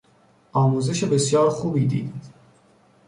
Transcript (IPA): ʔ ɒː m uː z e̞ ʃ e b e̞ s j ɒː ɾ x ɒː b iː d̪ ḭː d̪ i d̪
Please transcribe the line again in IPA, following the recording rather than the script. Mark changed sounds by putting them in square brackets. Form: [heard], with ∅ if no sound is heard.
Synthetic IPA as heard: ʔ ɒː m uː z e̞ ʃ e b e̞ s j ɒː ɾ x [uː] b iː d̪ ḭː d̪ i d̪